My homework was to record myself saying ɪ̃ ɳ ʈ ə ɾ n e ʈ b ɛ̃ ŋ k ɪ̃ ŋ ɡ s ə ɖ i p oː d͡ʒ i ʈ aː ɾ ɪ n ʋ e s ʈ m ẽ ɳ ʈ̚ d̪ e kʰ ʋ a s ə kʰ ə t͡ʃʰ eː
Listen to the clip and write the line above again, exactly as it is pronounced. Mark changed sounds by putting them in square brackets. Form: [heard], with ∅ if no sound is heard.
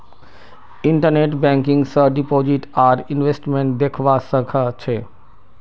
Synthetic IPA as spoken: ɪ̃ ɳ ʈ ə ɾ n e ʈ b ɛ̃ ŋ k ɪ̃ ŋ ɡ s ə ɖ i p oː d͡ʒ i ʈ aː ɾ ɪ n ʋ e s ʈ m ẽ ɳ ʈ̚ d̪ e kʰ ʋ a s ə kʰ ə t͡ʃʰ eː